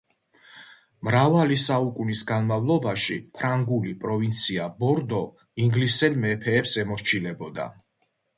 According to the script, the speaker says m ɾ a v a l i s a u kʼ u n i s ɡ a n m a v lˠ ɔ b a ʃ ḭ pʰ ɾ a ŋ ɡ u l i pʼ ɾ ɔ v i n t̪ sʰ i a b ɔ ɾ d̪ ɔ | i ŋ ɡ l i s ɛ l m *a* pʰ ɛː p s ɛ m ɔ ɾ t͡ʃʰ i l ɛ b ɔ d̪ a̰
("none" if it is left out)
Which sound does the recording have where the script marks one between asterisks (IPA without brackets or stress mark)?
ɛ